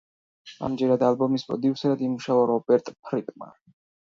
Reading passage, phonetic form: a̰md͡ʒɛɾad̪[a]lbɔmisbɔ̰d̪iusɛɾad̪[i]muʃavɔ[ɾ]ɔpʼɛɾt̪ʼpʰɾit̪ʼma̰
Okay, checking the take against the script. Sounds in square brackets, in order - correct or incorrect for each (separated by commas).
correct, correct, correct